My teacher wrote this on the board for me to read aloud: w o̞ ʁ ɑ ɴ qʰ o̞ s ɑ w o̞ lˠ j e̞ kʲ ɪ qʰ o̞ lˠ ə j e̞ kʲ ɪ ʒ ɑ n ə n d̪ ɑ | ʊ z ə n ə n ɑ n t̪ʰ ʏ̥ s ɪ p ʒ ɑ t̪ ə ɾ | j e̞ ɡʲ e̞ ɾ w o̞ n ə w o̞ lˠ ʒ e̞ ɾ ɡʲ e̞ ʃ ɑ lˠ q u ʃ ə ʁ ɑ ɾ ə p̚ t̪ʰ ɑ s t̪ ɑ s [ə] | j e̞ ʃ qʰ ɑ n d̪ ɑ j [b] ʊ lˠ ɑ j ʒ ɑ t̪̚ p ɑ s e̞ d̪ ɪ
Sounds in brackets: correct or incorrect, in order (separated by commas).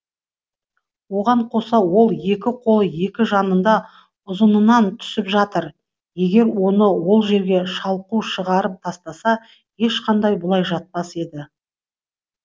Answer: incorrect, correct